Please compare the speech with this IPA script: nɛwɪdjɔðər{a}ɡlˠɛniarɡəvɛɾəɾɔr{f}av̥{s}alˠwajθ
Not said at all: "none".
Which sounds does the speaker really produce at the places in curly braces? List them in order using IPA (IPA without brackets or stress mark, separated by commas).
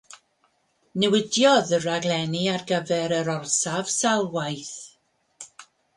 a, s, s